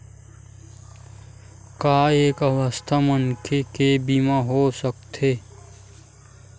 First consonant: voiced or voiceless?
voiceless